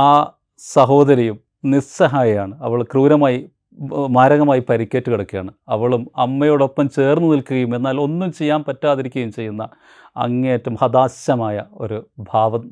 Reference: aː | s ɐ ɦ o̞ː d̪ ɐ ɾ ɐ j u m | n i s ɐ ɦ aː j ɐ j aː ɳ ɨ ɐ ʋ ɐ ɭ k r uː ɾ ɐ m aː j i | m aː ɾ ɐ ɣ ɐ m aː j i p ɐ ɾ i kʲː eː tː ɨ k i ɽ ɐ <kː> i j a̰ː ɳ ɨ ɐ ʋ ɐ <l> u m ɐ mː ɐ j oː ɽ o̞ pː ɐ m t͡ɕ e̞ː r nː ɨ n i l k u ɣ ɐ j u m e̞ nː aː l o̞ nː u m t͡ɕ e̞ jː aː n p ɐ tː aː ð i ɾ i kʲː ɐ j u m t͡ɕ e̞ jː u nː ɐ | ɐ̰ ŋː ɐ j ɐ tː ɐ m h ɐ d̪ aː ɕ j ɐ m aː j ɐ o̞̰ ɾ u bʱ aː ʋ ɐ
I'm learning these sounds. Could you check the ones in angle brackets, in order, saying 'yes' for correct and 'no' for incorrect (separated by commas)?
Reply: yes, no